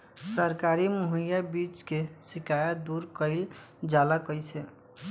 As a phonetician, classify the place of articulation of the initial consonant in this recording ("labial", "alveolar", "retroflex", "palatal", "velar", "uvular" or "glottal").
alveolar